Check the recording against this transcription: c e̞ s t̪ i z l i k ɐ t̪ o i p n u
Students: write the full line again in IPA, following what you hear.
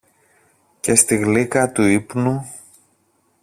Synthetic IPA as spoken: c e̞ s t̪ i ɣ l i k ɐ t̪ u i p n u